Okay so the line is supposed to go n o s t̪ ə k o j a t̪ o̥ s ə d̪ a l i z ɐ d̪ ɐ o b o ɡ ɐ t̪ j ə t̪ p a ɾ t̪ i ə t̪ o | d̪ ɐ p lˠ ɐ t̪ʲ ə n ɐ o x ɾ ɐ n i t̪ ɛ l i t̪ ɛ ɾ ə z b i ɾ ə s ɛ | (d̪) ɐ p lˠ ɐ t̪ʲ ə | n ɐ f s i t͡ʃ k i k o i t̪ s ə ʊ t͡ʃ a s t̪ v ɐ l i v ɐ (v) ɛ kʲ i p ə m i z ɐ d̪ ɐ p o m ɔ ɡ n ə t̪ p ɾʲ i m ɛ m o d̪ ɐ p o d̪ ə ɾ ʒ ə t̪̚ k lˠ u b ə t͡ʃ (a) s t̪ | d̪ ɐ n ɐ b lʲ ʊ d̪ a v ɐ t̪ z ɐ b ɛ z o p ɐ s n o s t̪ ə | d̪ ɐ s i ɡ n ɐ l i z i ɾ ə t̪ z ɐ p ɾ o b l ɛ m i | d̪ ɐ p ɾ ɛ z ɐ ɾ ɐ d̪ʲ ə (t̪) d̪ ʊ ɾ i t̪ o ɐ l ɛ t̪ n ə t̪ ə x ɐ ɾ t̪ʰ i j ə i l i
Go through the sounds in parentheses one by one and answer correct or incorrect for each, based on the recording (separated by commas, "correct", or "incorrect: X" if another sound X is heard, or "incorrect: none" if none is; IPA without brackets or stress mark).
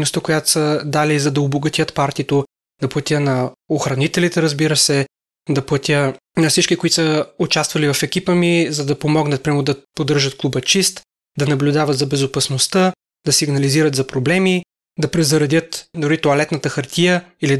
correct, incorrect: f, incorrect: i, correct